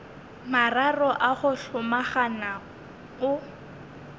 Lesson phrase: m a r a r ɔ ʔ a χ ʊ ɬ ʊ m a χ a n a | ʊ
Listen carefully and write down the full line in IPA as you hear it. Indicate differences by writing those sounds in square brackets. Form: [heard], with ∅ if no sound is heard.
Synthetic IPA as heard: m a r a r ɔ ʔ a χ ʊ ɬ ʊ m a χ a n a | ʊ